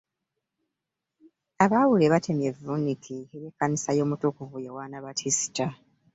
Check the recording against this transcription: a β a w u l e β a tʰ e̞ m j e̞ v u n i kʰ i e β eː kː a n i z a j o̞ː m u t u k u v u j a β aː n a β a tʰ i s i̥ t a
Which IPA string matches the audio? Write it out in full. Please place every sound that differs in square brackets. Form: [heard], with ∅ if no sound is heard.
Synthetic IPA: a β a w u l e β a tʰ e̞ m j e̞ v u n i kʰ i e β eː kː a n i [s] a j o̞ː m u t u k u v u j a [w] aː n a β a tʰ i s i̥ t a